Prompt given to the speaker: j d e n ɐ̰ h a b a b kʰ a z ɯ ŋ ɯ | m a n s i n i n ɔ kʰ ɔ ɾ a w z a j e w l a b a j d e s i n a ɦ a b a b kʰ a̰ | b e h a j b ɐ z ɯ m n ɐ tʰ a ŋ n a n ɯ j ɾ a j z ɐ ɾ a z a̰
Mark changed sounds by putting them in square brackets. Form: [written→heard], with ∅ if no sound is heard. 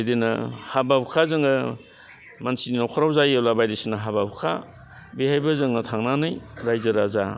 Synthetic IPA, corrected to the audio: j d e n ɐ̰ h a b a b kʰ a z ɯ ŋ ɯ | m a n s i n i n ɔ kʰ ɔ ɾ a w z a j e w l a b a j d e s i n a ɦ a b a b kʰ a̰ | b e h a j b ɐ z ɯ [m→ŋ] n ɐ tʰ a ŋ n a n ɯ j ɾ a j z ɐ ɾ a z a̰